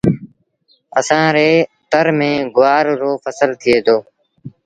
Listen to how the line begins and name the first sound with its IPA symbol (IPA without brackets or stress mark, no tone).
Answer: ə